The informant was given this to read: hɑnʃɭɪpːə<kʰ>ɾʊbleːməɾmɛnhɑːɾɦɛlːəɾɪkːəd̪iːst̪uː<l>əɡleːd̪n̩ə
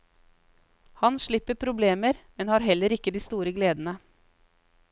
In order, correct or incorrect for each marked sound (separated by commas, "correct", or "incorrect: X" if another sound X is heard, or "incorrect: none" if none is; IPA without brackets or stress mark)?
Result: incorrect: pʰ, incorrect: ɾ